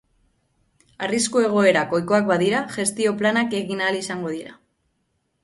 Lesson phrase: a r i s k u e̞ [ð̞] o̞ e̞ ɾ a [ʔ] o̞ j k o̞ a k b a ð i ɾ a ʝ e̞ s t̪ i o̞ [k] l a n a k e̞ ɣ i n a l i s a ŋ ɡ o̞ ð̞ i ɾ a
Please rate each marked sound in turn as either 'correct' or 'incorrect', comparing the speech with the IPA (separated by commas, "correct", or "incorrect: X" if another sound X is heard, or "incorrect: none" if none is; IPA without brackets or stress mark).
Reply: incorrect: ɣ̞, incorrect: k, incorrect: p